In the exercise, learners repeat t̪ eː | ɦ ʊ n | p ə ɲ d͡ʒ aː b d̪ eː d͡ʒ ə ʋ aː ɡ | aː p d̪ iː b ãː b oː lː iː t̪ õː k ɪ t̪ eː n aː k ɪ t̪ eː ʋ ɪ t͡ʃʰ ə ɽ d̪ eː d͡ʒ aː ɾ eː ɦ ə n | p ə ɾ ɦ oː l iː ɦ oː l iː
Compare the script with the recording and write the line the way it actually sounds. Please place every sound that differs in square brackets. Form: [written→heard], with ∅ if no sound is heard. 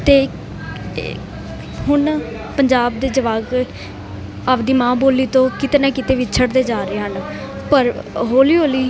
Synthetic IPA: t̪ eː | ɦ ʊ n | p ə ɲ d͡ʒ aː b d̪ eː d͡ʒ ə ʋ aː ɡ | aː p d̪ iː [b→m] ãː b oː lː iː t̪ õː k ɪ t̪ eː n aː k ɪ t̪ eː ʋ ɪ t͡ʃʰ ə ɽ d̪ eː d͡ʒ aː ɾ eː ɦ ə n | p ə ɾ ɦ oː l iː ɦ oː l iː